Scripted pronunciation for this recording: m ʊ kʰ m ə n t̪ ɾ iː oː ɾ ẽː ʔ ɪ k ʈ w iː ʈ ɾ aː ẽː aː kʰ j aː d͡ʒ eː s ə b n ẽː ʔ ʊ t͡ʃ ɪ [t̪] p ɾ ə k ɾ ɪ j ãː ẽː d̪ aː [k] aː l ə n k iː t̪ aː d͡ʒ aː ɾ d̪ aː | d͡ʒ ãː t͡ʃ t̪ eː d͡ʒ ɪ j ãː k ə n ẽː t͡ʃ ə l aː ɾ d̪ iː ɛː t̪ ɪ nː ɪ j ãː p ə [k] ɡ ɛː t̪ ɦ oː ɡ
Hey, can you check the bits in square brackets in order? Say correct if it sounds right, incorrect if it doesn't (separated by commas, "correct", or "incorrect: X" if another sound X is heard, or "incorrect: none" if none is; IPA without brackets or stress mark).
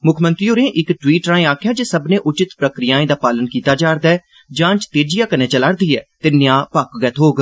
correct, incorrect: p, correct